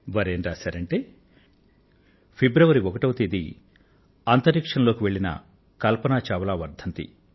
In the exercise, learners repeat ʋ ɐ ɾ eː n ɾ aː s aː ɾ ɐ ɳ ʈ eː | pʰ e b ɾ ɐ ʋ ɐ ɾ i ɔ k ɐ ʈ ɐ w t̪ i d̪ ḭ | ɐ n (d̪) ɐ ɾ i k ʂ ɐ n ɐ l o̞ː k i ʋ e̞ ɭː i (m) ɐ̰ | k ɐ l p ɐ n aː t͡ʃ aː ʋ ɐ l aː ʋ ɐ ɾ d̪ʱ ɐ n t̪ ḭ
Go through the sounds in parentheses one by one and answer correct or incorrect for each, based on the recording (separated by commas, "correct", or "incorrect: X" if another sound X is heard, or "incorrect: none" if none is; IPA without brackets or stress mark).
incorrect: t̪, incorrect: n